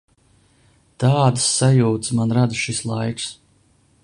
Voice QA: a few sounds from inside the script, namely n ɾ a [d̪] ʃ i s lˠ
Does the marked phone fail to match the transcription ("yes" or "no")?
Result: no